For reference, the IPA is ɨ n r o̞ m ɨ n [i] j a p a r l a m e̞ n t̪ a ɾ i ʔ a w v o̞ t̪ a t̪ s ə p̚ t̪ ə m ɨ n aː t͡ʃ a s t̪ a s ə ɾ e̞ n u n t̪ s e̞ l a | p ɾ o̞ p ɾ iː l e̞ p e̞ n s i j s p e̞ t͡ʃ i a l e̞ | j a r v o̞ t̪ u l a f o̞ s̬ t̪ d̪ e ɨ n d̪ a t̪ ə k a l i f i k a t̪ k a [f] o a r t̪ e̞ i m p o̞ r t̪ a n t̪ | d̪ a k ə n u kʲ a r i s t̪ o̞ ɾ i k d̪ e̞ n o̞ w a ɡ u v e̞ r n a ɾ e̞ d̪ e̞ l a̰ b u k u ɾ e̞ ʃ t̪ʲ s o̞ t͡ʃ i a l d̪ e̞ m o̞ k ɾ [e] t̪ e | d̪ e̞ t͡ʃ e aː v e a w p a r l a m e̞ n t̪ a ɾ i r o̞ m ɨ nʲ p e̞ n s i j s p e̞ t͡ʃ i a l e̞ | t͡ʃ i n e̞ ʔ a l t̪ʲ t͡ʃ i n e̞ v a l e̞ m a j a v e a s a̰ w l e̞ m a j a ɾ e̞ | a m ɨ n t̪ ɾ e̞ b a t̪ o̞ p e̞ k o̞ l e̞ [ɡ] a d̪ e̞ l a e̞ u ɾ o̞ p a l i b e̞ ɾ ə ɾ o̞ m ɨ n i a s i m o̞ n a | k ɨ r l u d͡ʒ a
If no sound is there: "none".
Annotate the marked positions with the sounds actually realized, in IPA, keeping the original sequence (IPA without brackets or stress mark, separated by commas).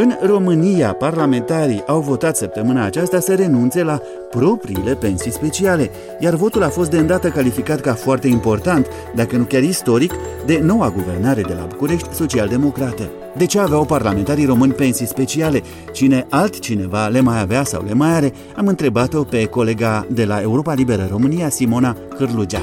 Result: i, f, a, ɡ